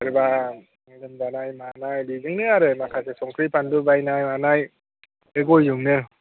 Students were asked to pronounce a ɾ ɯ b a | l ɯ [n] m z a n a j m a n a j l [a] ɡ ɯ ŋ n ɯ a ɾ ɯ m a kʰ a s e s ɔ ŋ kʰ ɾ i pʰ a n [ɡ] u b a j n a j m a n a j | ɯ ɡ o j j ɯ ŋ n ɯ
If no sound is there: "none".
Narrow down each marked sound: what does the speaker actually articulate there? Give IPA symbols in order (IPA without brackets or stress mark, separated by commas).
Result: none, i, d